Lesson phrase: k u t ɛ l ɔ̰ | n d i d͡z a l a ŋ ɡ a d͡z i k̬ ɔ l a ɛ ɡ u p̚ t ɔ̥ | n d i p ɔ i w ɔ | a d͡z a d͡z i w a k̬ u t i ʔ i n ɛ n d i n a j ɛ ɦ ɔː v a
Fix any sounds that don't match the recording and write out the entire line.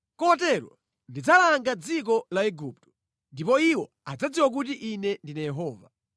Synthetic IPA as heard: k ɔ t ɛ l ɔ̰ | n d i d͡z a l a ŋ ɡ a d͡z i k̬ ɔ l a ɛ ɡ u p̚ t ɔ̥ | n d i p ɔ i w ɔ | a d͡z a d͡z i w a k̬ u t i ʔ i n ɛ n d i n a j ɛ ɦ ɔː v a